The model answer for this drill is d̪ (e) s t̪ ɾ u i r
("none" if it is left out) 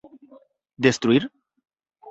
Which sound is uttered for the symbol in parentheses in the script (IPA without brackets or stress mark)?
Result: e